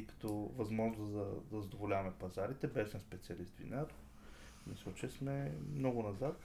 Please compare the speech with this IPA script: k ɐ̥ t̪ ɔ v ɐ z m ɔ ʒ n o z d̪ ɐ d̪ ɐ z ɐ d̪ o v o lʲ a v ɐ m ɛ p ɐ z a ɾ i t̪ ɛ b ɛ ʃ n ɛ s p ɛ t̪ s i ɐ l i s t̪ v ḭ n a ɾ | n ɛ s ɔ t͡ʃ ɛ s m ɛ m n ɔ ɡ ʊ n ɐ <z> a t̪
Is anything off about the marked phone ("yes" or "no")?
no